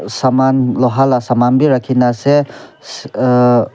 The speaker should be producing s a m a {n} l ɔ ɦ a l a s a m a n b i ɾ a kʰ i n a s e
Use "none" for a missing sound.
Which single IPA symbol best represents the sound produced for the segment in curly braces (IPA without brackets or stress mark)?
n